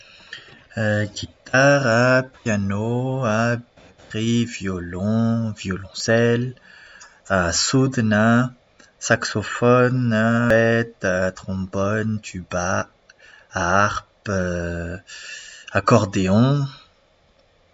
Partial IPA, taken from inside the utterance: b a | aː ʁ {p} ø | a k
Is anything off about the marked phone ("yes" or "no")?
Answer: no